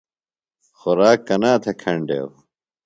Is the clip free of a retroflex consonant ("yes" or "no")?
no